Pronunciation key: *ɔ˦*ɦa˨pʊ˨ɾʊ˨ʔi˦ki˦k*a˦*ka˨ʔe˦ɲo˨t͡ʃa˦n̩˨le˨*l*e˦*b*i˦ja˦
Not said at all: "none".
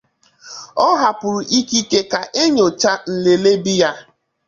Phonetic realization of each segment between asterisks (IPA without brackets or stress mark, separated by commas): ɔ˦, e˦, l, b